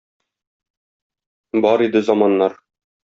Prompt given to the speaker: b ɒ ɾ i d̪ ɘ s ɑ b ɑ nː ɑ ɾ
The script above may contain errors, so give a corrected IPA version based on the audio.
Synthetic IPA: b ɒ ɾ i d̪ ɘ z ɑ m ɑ nː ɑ ɾ